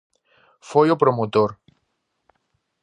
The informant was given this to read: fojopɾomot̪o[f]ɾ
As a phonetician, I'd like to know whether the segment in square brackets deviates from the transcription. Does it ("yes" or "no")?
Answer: yes